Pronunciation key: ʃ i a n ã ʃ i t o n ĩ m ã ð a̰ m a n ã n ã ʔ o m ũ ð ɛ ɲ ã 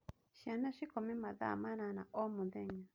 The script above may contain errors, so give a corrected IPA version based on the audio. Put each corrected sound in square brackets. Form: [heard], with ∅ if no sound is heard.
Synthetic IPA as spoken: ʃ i a n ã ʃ i [k] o [m] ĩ m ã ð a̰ m a n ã n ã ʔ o m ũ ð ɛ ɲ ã